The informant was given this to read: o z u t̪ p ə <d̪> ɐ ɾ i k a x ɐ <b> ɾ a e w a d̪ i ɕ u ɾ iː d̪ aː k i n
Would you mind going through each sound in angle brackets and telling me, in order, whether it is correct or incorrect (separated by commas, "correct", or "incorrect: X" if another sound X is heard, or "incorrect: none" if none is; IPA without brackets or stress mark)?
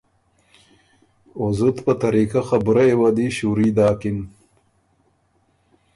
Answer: incorrect: t̪, correct